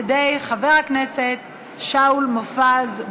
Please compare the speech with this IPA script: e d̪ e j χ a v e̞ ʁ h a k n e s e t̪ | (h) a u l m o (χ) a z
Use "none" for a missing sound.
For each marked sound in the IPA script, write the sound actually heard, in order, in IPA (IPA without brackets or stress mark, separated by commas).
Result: ʃ, f